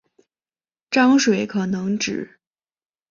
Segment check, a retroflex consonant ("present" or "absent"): present